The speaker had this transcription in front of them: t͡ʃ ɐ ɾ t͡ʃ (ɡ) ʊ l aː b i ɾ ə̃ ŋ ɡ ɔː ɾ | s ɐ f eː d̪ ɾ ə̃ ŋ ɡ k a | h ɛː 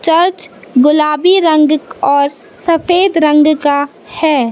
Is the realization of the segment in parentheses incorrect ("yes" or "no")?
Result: no